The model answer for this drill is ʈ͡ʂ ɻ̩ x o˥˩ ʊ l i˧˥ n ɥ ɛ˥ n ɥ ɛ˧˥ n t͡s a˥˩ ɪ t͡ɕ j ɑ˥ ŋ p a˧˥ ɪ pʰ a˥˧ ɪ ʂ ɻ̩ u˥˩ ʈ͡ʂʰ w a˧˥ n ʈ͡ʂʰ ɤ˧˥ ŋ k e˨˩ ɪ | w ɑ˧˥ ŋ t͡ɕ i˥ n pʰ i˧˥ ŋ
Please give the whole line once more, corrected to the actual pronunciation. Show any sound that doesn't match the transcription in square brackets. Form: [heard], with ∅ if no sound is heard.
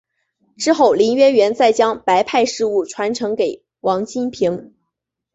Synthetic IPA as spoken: ʈ͡ʂ ɻ̩ x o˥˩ ʊ l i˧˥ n ɥ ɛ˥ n ɥ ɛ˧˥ n t͡s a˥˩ ɪ t͡ɕ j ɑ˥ ŋ p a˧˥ ɪ pʰ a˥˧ ɪ ʂ ɻ̩ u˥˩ ʈ͡ʂʰ w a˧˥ n ʈ͡ʂʰ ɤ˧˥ ŋ k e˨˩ ɪ | w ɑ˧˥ ŋ t͡ɕ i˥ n pʰ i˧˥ ŋ